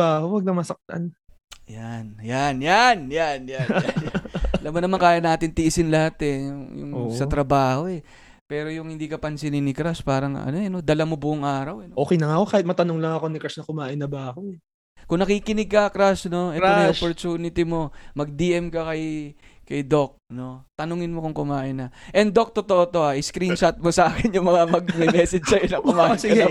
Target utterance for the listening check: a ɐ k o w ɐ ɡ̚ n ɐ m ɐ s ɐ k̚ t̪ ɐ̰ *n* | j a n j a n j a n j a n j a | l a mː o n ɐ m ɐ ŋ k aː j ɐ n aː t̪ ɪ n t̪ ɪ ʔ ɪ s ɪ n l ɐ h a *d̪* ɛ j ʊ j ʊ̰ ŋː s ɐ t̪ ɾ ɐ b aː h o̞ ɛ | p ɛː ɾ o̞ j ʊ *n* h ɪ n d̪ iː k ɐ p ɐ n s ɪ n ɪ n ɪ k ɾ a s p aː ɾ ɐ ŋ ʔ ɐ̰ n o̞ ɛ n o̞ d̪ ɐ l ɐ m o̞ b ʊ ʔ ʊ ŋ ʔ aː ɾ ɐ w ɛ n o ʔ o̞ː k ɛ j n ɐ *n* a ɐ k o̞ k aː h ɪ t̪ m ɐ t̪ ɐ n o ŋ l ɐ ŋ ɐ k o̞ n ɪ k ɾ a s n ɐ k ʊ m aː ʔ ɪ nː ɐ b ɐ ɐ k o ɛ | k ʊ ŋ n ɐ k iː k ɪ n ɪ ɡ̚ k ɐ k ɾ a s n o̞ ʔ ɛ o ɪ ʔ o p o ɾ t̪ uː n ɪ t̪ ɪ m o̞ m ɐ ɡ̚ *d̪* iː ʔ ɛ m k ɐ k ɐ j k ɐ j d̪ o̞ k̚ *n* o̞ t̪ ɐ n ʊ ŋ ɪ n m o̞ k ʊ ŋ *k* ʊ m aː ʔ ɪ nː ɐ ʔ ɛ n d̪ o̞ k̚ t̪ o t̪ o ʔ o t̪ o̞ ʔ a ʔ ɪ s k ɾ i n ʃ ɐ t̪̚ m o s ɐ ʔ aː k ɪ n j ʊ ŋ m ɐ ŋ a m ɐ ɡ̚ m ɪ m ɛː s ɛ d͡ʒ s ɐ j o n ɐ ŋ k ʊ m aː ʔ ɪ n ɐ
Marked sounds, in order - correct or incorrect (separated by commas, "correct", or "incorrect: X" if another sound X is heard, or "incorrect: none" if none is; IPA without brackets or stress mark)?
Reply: correct, incorrect: t̪, incorrect: ŋ, incorrect: ŋ, correct, correct, correct